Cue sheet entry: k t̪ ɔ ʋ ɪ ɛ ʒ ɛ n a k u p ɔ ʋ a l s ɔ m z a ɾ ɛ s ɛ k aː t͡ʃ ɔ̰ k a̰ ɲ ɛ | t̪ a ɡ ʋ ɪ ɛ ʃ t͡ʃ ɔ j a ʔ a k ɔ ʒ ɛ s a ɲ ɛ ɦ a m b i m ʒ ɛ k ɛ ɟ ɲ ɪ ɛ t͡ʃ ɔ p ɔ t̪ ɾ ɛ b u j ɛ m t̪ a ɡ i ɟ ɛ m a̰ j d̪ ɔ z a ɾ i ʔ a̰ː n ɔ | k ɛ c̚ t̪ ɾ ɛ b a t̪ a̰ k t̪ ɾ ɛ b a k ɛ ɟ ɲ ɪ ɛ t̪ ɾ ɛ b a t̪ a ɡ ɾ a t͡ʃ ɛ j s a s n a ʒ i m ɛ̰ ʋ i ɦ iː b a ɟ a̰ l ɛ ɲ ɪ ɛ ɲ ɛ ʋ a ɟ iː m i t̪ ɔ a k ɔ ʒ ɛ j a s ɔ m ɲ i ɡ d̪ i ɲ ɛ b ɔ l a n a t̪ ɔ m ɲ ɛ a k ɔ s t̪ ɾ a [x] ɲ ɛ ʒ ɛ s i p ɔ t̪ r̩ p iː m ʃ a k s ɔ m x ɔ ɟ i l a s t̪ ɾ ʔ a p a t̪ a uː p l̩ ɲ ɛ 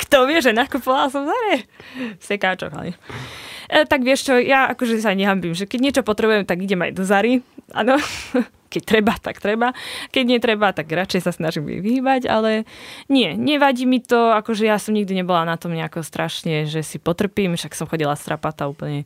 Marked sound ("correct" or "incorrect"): incorrect